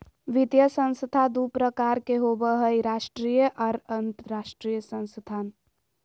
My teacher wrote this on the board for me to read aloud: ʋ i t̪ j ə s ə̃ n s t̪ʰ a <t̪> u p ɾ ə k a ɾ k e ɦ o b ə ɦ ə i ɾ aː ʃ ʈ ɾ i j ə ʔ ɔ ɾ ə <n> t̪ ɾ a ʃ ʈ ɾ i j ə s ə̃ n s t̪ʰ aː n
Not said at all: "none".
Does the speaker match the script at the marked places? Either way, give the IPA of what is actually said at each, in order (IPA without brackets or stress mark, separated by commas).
d̪, n